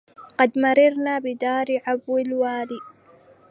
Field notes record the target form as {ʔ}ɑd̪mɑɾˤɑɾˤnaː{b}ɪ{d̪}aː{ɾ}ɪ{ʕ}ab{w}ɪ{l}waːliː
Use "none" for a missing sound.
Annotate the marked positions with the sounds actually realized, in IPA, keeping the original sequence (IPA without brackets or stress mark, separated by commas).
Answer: q, b, d̪, ɾ, ʕ, w, l